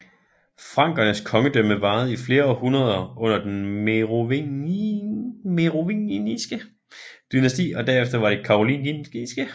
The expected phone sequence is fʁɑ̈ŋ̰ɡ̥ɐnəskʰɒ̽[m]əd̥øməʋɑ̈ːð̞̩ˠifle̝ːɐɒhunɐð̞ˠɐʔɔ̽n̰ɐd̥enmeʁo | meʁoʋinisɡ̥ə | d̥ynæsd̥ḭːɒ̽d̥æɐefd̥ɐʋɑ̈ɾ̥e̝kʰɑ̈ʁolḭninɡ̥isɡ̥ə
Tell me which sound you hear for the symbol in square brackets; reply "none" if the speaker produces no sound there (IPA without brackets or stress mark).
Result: ŋ